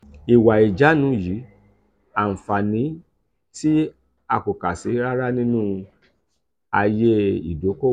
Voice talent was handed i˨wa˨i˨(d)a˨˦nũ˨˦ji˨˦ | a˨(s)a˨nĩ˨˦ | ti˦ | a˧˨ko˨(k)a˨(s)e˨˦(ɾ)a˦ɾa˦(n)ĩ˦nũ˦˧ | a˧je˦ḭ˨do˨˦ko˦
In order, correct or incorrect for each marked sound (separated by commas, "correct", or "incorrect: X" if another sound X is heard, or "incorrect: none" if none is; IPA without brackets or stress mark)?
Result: incorrect: d͡ʒ, incorrect: f, correct, correct, correct, correct